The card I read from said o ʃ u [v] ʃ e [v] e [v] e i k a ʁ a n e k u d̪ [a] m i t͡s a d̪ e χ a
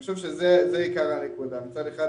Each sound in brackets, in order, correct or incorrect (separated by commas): correct, incorrect, incorrect, correct